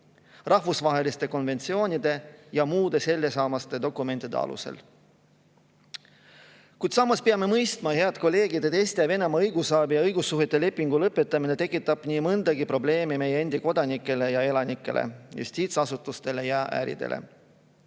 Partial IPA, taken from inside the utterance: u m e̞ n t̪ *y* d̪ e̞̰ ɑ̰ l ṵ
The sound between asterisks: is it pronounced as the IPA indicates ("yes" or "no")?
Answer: no